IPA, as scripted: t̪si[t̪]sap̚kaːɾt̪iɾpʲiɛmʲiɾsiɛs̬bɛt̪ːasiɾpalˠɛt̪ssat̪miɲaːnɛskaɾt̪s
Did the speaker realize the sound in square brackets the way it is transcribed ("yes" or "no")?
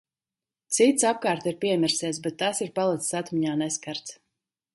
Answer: yes